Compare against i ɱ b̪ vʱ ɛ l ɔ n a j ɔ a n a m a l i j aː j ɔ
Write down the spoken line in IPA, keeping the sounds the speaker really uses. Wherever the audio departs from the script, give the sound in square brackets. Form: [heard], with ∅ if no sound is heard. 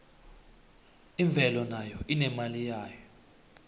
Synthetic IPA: i ɱ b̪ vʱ ɛ l ɔ n a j ɔ [i] n [ɛ] m a l i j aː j ɔ